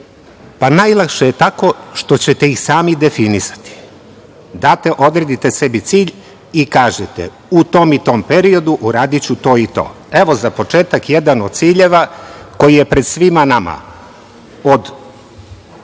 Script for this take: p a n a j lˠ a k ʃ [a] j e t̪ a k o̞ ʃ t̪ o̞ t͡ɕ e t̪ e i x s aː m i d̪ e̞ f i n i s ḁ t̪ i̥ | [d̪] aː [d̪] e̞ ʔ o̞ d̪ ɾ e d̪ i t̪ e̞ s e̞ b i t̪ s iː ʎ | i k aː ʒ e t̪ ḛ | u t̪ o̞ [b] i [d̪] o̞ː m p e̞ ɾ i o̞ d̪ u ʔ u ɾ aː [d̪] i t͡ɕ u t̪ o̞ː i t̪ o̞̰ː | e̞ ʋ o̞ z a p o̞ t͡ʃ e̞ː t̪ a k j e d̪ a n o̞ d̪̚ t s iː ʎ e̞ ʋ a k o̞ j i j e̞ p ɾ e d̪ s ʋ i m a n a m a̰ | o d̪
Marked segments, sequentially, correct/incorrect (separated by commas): incorrect, correct, incorrect, incorrect, incorrect, correct